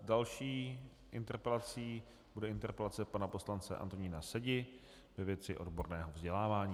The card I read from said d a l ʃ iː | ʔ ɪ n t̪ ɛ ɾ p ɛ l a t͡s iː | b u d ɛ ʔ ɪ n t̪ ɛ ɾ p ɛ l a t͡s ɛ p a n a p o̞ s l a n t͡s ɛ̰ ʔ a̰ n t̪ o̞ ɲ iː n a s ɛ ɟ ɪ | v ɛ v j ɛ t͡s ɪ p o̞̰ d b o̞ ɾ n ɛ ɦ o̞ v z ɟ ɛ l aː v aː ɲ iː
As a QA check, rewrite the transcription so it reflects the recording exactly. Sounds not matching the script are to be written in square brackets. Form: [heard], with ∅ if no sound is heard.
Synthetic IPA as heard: d a l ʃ iː | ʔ ɪ n t̪ ɛ ɾ p ɛ l a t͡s iː | b u d ɛ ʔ ɪ n t̪ ɛ ɾ p ɛ l a t͡s ɛ p a n a p o̞ s l a n t͡s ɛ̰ ʔ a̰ n t̪ o̞ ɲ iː n a s ɛ ɟ ɪ | v ɛ v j ɛ t͡s ɪ [ʔ] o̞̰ d b o̞ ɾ n [ɛː] ɦ o̞ v z ɟ ɛ l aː v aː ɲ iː